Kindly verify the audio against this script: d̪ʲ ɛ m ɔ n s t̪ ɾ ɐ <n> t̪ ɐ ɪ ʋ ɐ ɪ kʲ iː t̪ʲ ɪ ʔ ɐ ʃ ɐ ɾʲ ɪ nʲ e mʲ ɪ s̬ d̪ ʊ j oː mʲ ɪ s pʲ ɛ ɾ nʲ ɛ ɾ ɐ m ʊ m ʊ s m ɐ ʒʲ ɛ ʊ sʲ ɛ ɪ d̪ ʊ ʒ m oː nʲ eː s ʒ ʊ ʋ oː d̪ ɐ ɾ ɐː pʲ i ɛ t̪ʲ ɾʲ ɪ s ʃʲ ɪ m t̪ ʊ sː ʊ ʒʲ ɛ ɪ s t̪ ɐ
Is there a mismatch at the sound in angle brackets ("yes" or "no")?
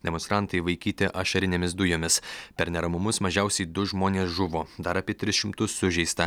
no